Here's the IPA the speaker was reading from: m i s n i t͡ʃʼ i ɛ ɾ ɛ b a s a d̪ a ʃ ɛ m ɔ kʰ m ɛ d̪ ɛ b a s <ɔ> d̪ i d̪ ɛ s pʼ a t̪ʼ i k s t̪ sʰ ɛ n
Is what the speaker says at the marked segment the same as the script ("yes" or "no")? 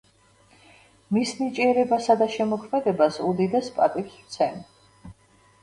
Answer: no